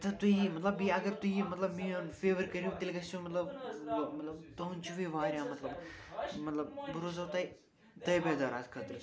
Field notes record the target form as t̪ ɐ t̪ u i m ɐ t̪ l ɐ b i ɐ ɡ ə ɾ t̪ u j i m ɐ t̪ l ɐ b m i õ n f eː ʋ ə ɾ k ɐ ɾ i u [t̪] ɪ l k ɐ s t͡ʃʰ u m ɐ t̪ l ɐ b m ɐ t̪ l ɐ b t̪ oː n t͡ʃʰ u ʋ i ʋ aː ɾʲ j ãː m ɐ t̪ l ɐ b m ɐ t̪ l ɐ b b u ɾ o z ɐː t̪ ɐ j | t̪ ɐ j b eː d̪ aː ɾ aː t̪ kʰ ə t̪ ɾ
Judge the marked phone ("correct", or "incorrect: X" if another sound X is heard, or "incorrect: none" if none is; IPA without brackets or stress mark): correct